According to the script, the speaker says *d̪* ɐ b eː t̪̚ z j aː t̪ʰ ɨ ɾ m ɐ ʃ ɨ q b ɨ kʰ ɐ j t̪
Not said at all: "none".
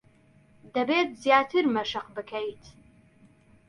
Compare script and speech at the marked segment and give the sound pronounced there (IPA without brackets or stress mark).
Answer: d̪